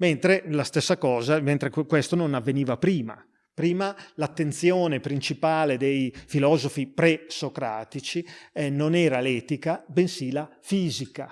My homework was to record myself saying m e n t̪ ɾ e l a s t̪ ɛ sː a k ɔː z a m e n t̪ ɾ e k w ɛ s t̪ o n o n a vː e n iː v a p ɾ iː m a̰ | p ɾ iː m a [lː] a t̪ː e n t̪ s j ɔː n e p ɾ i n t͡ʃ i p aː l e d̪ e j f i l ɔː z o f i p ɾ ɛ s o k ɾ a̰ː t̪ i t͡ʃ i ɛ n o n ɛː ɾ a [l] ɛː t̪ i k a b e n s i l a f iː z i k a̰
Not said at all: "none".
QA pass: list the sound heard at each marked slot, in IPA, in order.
l, l

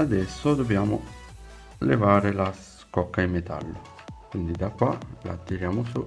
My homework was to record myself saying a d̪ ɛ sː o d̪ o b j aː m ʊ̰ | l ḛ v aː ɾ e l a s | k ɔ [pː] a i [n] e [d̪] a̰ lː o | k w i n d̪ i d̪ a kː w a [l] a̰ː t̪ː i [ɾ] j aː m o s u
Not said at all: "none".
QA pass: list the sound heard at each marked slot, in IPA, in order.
kː, m, t̪, l, ɾ

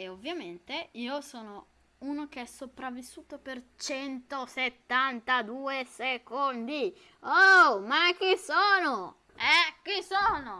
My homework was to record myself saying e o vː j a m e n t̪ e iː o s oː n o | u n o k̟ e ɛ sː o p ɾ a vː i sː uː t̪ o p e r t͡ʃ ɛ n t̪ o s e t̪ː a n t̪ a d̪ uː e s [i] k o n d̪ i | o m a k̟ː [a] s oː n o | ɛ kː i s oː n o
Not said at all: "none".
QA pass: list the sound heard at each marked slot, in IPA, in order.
e, i

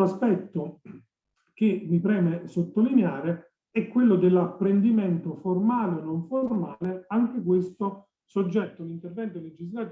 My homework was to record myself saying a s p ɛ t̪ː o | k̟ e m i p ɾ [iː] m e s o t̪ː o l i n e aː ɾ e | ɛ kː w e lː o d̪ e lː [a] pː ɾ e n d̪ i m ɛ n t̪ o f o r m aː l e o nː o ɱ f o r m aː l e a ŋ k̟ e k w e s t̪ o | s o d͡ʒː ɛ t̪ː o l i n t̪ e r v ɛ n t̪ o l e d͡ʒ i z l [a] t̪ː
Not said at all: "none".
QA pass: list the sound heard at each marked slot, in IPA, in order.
ɛː, a, a

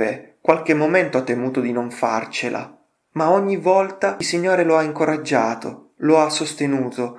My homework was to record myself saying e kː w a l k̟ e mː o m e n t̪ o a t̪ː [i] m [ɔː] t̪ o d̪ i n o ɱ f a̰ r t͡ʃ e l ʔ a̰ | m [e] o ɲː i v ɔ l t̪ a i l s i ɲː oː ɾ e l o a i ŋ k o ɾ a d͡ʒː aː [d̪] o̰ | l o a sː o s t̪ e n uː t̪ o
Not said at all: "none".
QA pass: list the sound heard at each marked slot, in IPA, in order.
e, uː, a, t̪

